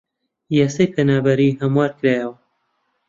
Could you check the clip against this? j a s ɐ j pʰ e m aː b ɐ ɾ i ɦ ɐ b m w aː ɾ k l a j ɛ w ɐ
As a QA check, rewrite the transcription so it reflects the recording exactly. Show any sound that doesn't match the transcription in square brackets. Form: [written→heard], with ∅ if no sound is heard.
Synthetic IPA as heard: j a s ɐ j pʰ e [m→n] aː b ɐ ɾ i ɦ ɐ [b→∅] m w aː ɾ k [l→ɾ] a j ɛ w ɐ